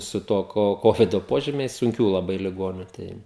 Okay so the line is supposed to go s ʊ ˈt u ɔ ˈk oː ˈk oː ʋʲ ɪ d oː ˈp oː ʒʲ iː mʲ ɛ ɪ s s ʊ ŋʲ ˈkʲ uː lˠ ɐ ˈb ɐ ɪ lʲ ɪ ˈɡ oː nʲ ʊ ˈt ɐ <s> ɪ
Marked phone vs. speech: incorrect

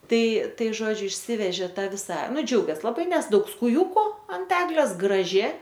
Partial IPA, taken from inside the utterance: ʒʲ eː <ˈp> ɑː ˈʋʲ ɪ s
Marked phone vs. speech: incorrect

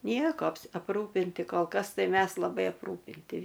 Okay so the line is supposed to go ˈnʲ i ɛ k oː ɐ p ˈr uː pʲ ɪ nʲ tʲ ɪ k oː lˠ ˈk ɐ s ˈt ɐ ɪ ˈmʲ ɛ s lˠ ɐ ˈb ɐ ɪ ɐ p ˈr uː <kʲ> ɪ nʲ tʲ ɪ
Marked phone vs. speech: incorrect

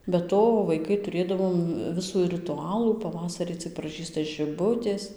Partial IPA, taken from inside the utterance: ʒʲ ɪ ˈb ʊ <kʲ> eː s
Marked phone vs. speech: incorrect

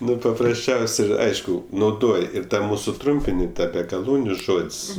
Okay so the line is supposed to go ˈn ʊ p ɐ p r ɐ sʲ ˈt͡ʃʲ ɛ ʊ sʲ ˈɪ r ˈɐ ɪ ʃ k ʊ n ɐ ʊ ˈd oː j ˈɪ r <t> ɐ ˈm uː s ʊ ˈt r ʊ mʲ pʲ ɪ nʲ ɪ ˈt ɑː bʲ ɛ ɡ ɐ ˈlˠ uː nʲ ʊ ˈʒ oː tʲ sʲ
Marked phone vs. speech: correct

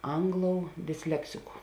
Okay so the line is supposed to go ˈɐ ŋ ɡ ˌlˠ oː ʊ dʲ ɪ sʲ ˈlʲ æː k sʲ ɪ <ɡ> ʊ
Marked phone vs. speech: incorrect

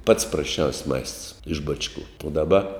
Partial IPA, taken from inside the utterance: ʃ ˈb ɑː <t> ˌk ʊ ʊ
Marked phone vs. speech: incorrect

